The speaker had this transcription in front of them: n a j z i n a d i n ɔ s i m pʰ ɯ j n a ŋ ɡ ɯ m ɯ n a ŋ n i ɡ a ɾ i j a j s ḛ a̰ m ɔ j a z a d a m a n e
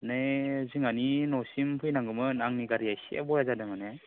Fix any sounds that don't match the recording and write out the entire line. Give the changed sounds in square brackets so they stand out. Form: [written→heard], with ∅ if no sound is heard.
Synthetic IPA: n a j z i [n→ŋ] a [d→n] i n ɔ s i m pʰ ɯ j n a ŋ ɡ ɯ m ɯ n a ŋ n i ɡ a ɾ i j a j s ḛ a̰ [m→b] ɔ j a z a d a m a n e